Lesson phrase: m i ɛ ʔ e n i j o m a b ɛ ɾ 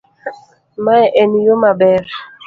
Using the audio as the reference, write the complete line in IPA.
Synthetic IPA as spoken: m a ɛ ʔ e n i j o m a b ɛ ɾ